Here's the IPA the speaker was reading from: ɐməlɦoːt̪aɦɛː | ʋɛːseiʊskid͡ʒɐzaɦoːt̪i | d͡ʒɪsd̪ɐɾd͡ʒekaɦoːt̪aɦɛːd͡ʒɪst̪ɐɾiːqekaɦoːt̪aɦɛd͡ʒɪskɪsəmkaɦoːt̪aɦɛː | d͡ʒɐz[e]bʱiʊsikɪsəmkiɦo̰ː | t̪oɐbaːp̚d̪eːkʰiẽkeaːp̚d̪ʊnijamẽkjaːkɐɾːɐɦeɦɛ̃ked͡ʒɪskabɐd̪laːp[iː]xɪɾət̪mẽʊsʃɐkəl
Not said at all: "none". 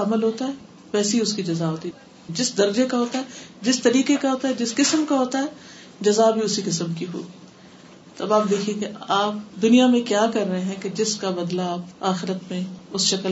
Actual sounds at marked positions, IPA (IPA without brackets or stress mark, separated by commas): a, aː